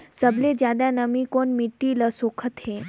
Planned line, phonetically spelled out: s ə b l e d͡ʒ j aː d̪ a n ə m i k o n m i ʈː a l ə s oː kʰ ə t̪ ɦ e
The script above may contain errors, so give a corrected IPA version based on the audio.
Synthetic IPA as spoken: s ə b l e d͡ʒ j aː d̪ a n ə m i k o n m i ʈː i l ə s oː kʰ ə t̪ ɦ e